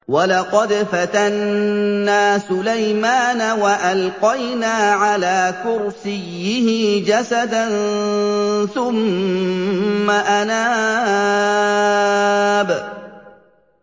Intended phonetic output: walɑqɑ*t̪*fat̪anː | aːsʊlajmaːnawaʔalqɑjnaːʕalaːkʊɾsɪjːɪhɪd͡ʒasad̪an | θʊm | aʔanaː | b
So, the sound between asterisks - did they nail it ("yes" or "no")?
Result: no